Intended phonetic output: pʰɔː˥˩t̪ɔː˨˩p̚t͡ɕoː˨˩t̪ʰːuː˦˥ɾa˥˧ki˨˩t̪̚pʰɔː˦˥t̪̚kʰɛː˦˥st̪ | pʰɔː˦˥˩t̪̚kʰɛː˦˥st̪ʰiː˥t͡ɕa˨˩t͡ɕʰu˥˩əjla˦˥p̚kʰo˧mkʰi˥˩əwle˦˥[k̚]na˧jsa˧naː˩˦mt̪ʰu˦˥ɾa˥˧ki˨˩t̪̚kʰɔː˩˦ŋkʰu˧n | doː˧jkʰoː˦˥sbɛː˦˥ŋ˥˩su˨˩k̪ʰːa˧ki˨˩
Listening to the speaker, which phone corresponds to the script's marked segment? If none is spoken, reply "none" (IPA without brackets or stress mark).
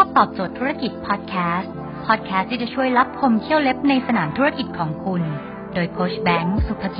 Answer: p̚